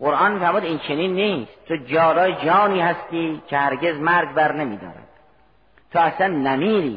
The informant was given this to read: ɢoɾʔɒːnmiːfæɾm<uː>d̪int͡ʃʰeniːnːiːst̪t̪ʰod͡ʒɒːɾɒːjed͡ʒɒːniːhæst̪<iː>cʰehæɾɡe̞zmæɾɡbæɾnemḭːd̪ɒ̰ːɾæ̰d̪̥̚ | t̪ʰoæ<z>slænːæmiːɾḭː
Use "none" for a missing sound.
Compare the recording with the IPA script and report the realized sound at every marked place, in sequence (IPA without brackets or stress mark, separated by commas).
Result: uː, iː, none